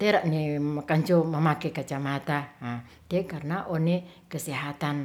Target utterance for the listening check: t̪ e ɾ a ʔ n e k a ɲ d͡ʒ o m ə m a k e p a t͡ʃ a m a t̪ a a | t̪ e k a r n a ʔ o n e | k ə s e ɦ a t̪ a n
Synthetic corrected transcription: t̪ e ɾ a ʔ n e k a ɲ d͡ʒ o m ə m a k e k a t͡ʃ a m a t̪ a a | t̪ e k a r n a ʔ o n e | k ə s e ɦ a t̪ a n